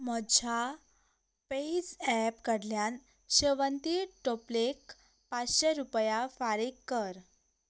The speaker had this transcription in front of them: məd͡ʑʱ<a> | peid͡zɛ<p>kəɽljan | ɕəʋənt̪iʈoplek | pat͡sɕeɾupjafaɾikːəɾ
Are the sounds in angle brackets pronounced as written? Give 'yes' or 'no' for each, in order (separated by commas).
yes, yes